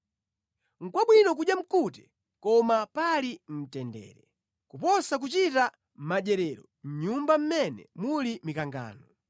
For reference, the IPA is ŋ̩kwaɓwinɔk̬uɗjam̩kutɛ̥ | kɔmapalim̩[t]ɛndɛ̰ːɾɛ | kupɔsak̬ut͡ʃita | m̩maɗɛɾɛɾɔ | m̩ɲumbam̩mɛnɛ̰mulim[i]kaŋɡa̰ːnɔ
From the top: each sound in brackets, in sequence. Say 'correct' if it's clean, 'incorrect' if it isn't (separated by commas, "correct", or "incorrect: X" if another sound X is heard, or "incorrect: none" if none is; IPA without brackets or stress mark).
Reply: correct, correct